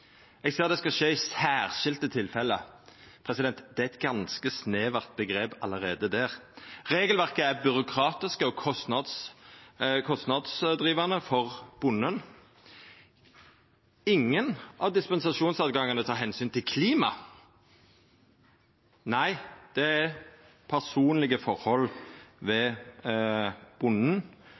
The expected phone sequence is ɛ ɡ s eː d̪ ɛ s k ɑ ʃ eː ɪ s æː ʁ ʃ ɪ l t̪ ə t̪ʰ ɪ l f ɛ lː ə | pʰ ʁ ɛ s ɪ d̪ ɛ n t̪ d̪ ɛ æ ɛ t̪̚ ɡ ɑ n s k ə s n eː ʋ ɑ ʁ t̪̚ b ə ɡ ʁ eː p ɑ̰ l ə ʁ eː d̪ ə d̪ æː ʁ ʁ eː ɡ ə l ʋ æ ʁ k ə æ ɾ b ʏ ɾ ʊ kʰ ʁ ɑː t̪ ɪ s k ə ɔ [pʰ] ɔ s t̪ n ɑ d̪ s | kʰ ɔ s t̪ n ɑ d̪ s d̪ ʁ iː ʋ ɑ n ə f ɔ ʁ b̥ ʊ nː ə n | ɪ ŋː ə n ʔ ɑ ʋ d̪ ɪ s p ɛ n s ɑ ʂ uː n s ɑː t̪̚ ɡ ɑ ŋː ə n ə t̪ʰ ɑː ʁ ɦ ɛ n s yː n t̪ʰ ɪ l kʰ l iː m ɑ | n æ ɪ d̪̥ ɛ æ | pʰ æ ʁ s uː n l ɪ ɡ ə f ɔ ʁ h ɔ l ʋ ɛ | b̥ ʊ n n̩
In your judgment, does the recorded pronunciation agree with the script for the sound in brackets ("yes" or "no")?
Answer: no